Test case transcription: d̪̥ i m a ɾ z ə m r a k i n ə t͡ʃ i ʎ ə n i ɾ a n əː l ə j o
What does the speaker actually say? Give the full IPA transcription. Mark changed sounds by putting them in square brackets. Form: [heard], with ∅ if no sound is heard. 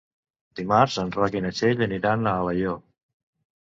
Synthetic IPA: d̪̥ i m a ɾ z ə [n] r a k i n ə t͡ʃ [e] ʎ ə n i ɾ a n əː l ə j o

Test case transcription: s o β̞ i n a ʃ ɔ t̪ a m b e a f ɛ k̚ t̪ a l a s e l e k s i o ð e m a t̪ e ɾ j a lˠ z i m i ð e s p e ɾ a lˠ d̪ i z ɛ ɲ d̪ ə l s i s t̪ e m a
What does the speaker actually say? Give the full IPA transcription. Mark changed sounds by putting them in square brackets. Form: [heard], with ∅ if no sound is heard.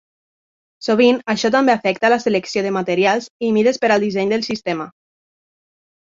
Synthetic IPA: s o β̞ i n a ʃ ɔ t̪ a m b e a f ɛ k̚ t̪ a l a s e l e k s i o ð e m a t̪ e ɾ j a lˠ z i m i ð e s p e ɾ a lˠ d̪ i z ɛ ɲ d̪ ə l s i s t̪ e m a

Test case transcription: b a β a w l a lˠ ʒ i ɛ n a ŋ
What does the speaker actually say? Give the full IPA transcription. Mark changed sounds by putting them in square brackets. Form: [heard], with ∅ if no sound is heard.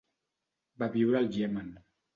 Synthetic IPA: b a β [i] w [ɾ] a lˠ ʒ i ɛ [m] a [n]

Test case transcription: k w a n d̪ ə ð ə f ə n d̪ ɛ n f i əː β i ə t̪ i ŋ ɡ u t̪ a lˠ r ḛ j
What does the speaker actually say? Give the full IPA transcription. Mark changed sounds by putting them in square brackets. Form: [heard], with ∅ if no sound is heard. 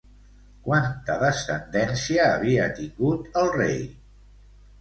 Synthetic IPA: k w a n [t̪] ə ð ə [s] ə n d̪ ɛ n [s] i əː β i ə t̪ i ŋ ɡ u t̪ [ə] lˠ r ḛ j

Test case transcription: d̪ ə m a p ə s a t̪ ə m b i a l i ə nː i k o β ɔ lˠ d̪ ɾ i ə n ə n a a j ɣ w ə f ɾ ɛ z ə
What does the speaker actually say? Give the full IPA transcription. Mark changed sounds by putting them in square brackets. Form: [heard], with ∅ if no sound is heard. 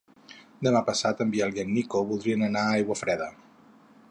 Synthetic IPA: d̪ ə m a p ə s a t̪ ə m b i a l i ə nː i k o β [u] lˠ d̪ ɾ i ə n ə n a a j ɣ w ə f ɾ ɛ [ð] ə

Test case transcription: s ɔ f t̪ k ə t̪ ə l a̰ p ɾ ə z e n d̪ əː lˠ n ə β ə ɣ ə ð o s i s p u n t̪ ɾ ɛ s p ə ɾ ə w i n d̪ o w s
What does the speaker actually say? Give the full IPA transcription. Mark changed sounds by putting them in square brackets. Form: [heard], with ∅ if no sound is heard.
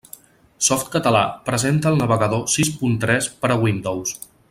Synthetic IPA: s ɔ f t̪ k ə t̪ ə l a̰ p ɾ ə z e n [t̪] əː lˠ n ə β ə ɣ ə ð o s i s p u n t̪ ɾ ɛ s p ə ɾ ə w i n d̪ o w s

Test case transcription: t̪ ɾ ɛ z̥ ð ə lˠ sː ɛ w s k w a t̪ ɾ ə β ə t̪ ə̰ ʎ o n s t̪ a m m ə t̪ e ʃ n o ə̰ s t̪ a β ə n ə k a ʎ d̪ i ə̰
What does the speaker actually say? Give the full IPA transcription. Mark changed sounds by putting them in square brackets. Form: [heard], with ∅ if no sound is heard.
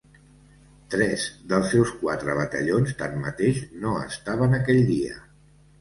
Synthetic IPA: t̪ ɾ ɛ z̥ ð ə lˠ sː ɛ w s k w a t̪ ɾ ə β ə t̪ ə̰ ʎ o n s t̪ a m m ə t̪ e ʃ n o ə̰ s t̪ a β ə n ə k [ɛ] ʎ d̪ i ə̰

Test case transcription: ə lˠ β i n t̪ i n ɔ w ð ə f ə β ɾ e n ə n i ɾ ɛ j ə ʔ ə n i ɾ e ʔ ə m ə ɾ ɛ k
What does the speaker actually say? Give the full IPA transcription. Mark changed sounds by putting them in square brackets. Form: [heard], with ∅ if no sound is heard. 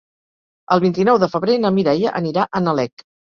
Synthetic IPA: ə lˠ β i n t̪ i n ɔ w ð ə f ə β ɾ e n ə [m] i ɾ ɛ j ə ʔ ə n i ɾ [a] ʔ ə [n] ə [l] ɛ k

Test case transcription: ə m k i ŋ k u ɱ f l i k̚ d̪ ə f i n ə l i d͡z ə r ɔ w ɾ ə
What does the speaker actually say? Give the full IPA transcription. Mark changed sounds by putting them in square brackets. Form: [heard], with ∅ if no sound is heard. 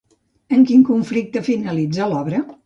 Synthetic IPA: ə [ŋ] k i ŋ k u ɱ f l i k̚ [t̪] ə f i n ə l i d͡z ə [l] ɔ [β] ɾ ə

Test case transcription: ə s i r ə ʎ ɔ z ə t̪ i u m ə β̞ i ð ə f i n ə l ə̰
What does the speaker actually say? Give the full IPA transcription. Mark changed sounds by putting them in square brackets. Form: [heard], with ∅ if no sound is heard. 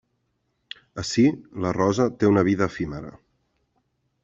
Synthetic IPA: ə s i [l] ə [r] ɔ z ə t̪ [e] u [n] ə β̞ i ð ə f i [m] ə [ɾ] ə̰

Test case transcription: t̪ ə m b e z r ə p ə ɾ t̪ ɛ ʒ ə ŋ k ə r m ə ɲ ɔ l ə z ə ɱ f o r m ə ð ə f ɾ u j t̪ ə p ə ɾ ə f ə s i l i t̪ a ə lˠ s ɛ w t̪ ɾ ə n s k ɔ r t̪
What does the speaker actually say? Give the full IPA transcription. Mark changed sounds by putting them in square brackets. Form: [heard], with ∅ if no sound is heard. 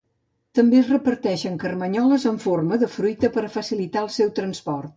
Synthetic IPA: t̪ ə m b e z r ə p ə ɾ t̪ ɛ [ʃ] ə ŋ k ə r m ə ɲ ɔ l ə z ə ɱ f o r m ə ð ə f ɾ u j t̪ ə p ə ɾ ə f ə s i l i t̪ a ə lˠ s ɛ w t̪ ɾ ə n s [p] ɔ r t̪

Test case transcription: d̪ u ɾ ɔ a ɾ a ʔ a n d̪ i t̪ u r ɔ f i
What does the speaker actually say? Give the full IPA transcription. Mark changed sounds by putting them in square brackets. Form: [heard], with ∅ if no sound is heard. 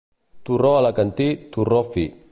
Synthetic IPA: [t̪] u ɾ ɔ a [l] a [k] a n [t̪] i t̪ u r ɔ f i

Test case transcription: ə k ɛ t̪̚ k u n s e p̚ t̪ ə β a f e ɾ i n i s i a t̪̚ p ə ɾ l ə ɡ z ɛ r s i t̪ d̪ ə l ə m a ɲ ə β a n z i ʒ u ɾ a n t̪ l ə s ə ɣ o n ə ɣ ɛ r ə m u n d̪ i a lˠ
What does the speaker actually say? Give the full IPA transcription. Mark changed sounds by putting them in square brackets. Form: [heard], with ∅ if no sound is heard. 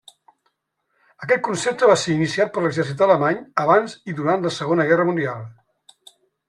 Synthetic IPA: ə k ɛ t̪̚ k u n s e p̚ t̪ ə β a [s] e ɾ i n i s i a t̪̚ p ə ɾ l ə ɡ z ɛ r s i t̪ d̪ ə l ə m a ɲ ə β a n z i [ð] u ɾ a n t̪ l ə s ə ɣ o n ə ɣ ɛ r ə m u n d̪ i a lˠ

